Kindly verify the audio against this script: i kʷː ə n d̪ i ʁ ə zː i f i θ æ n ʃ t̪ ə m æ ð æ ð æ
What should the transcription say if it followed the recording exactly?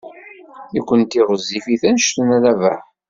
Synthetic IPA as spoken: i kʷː ə n t̪ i ʁ ə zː i f i θ æ n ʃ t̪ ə n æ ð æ v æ